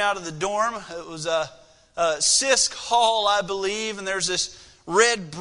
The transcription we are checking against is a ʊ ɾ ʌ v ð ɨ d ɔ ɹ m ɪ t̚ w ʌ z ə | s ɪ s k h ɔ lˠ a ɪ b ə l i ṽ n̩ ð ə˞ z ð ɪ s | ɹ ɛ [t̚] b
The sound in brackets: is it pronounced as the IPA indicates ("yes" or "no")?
no